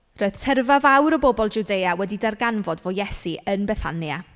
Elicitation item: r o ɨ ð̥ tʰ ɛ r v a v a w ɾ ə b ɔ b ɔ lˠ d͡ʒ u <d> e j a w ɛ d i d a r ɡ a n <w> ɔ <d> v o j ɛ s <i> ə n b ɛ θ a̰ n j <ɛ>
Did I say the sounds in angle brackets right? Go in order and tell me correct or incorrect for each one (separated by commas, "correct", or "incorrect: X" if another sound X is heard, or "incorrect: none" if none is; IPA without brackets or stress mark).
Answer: correct, incorrect: v, correct, correct, incorrect: a